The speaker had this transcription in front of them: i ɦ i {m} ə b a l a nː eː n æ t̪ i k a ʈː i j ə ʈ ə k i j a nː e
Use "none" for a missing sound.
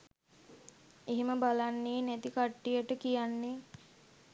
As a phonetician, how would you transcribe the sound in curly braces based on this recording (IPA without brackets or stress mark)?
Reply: m